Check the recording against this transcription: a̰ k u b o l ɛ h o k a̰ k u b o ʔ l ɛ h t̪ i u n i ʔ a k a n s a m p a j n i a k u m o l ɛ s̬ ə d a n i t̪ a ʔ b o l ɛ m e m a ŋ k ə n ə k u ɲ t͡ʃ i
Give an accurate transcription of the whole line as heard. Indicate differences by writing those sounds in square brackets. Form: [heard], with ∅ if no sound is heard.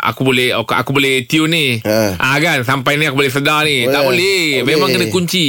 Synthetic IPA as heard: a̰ k u b o l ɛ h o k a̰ k u b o [∅] l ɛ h t̪ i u n i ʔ a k a n s a m p a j n i a k u [b] o l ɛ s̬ ə d a n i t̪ a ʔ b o l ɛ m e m a ŋ k ə n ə k u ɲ t͡ʃ i